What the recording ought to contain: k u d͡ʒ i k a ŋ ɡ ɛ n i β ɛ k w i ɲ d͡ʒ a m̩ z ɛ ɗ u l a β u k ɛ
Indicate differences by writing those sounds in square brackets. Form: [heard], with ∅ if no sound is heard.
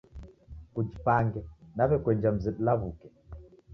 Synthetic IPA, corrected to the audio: k u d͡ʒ i [p] a ŋ ɡ ɛ n [a] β ɛ k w [ɛ] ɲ d͡ʒ a m̩ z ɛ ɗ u l a β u k ɛ